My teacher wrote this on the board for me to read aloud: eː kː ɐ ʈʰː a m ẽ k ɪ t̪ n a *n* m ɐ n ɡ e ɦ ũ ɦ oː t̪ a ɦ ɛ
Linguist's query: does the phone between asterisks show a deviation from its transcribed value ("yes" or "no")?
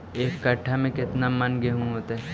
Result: yes